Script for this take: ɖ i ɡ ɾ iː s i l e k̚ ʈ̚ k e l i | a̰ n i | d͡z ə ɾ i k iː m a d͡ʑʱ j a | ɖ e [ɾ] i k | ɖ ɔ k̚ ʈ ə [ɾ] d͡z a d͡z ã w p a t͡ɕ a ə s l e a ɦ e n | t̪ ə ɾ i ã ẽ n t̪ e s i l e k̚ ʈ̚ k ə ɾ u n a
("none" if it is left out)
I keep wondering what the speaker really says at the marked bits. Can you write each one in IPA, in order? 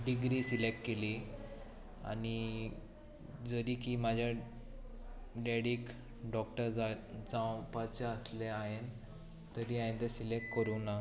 ɽ, ɾ

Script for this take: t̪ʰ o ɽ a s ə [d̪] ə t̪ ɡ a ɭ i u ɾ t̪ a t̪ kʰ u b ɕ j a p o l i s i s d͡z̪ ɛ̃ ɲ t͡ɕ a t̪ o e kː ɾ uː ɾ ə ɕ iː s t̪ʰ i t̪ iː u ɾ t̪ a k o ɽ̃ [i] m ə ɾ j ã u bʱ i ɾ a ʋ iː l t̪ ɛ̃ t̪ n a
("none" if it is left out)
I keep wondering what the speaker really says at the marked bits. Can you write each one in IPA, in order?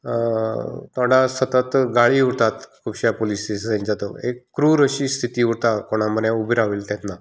t̪, a

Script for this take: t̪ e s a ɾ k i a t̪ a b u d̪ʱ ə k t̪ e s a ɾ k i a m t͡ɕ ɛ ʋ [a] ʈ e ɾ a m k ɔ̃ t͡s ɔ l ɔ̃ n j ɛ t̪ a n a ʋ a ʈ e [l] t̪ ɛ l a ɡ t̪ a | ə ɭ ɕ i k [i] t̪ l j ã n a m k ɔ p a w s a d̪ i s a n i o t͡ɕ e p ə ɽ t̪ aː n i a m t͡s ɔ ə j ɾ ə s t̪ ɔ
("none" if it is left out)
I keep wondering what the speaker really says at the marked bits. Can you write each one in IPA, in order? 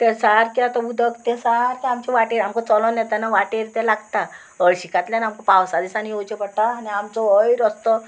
a, ɾ, a

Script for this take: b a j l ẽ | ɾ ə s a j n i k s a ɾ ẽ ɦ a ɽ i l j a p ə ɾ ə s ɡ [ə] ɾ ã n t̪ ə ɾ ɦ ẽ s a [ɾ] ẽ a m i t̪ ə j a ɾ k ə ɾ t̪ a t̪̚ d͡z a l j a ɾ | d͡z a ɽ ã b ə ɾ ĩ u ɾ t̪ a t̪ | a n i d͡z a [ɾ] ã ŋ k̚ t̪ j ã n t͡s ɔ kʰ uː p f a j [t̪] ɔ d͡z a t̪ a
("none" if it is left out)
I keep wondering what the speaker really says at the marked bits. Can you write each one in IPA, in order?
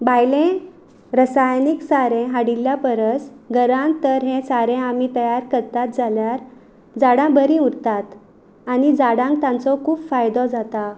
ə, ɾ, ɽ, d̪

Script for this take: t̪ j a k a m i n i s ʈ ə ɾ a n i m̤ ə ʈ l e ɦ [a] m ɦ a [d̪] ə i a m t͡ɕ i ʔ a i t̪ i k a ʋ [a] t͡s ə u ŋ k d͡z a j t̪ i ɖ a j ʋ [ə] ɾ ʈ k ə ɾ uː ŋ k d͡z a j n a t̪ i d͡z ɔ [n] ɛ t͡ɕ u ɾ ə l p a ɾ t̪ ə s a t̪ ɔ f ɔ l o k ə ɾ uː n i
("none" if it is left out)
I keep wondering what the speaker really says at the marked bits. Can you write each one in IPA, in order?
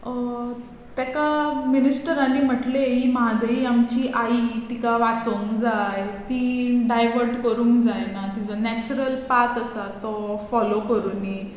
i, d̪, a, ə, n

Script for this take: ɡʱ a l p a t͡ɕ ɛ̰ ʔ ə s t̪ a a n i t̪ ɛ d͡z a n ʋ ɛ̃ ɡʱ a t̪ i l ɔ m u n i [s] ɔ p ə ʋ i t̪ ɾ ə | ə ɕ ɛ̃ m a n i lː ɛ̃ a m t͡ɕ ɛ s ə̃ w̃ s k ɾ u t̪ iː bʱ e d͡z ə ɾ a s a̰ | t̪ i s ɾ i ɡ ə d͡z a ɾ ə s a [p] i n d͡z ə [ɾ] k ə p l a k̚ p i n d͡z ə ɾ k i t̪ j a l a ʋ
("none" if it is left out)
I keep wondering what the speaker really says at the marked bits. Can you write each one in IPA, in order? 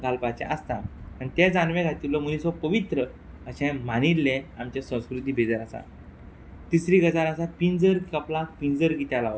s, p, ɾ

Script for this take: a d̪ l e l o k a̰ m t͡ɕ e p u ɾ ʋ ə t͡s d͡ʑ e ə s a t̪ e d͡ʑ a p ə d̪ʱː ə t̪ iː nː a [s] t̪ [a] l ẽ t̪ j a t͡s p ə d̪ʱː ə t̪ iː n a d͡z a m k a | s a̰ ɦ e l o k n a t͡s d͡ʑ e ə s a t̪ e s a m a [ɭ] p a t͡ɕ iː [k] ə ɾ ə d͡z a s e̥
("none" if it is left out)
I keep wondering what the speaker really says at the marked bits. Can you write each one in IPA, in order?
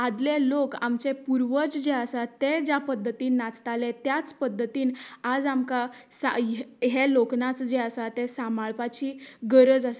t͡s, a, ɭ, ɡ

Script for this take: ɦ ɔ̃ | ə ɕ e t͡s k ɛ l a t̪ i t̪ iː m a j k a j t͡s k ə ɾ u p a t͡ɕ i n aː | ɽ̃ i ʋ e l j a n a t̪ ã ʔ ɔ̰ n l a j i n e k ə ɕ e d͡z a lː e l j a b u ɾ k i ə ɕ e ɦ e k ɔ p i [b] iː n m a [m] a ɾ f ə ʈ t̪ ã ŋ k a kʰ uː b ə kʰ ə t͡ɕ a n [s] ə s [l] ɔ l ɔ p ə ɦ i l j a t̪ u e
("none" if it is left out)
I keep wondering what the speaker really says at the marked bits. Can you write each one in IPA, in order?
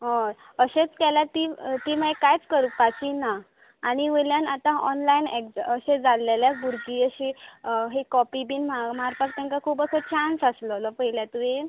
b, m, s, l

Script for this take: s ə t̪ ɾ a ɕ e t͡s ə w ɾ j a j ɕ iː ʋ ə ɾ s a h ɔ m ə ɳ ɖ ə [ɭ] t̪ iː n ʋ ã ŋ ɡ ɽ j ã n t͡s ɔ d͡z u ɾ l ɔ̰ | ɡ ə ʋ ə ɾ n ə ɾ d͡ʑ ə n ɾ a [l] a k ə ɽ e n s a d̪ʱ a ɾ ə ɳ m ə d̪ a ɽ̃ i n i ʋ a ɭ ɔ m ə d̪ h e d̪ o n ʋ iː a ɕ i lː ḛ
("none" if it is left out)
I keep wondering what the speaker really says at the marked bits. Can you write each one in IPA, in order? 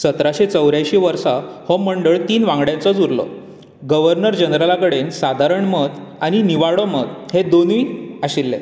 ɭ, l

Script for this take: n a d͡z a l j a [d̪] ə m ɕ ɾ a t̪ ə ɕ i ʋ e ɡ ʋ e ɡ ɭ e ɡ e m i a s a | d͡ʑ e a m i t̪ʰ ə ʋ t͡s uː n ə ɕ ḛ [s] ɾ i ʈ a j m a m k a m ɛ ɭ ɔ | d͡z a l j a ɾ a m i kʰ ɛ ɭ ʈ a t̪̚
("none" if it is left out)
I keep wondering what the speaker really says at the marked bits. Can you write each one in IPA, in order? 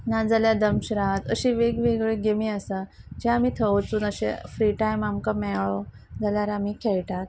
d̪, f

